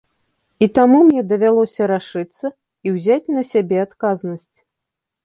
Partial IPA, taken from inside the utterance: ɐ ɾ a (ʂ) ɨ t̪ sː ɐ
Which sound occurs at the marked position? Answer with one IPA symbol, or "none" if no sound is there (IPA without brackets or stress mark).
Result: ʂ